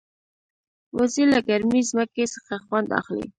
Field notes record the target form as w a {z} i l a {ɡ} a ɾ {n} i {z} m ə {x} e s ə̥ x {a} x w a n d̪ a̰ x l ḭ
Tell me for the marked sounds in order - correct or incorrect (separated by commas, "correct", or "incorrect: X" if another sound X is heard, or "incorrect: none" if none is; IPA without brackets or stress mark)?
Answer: correct, correct, incorrect: m, correct, incorrect: k, correct